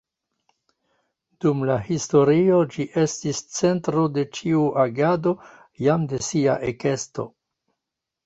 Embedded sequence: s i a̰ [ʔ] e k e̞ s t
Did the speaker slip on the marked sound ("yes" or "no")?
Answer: no